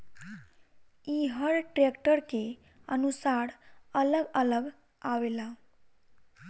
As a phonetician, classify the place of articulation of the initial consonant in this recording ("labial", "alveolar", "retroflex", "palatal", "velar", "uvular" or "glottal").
glottal